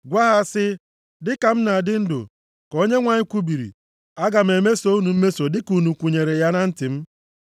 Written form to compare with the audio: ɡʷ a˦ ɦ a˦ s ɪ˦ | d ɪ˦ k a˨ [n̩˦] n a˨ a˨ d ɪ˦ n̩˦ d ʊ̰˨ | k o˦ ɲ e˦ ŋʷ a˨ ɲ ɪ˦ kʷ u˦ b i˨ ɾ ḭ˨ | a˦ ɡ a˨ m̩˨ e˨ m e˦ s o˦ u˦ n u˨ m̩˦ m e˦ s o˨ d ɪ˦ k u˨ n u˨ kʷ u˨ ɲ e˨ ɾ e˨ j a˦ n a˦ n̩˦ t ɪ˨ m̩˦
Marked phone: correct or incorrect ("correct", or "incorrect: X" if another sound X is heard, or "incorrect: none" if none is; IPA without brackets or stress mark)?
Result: incorrect: m̩˦